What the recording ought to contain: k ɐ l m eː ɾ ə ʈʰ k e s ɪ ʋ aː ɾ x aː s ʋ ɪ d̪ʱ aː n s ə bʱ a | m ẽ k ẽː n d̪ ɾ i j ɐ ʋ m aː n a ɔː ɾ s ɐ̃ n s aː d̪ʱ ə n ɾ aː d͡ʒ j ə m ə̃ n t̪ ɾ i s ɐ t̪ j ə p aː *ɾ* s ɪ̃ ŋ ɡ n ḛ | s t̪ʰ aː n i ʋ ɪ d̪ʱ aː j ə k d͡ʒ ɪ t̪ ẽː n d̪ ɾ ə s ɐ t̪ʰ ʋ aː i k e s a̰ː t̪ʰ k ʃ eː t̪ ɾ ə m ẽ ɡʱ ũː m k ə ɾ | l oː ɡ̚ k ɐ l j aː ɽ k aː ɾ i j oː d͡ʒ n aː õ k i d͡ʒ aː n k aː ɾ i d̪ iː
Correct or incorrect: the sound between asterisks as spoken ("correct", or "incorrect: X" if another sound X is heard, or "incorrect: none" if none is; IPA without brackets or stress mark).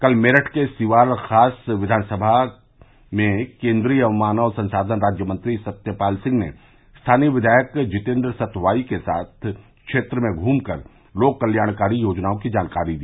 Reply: incorrect: l